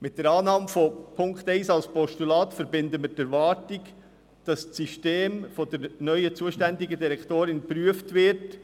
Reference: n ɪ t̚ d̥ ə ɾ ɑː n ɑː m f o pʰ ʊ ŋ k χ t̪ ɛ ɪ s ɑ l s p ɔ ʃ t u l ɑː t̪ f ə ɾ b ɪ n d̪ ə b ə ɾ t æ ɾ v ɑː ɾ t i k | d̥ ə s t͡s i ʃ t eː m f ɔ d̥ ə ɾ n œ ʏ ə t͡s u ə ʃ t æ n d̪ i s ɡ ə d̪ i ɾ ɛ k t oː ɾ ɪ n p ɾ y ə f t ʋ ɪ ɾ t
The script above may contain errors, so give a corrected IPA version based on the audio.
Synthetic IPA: m ɪ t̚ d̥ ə ɾ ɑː n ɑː m f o pʰ ʊ ŋ k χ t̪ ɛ ɪ s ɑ l s p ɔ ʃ t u l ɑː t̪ f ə ɾ b ɪ n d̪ ə m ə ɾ t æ ɾ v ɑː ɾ t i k | d̥ ɑ s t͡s i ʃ t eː m f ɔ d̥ ə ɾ n œ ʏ ə t͡s u ə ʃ t æ n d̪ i ɡ ə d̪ i ɾ ɛ k t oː ɾ ɪ n p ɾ y ə f t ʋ ɪ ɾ t